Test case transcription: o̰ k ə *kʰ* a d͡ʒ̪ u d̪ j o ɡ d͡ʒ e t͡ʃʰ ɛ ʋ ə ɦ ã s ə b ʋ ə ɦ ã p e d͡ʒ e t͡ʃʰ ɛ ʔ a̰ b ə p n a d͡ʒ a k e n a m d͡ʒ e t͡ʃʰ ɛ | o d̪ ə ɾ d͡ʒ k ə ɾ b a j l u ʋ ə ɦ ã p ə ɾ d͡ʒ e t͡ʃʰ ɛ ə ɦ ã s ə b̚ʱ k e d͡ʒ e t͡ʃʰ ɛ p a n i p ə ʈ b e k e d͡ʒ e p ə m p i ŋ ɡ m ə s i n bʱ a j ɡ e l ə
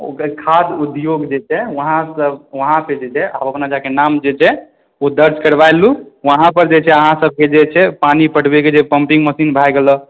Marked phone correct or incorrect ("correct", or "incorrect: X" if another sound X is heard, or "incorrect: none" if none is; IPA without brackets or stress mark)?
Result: correct